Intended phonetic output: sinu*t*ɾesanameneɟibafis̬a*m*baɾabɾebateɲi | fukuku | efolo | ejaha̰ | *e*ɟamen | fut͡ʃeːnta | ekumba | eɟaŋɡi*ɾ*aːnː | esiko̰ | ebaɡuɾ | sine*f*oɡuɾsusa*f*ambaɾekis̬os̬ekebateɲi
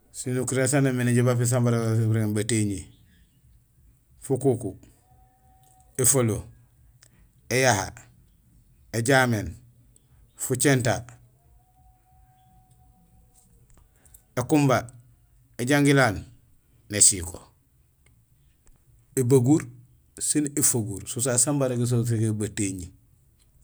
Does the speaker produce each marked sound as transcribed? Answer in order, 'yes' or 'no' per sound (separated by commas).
no, yes, yes, no, yes, no